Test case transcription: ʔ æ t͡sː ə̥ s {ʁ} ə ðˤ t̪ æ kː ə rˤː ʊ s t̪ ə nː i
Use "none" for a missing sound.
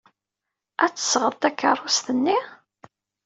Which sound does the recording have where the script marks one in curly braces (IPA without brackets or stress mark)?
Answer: ʁ